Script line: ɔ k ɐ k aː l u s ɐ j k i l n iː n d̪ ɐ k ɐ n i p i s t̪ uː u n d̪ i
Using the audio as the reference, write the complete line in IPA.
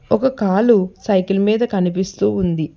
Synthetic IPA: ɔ k ɐ k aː l u s ɐ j k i l m iː d̪ ɐ k ɐ n i p i s t̪ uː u n d̪ i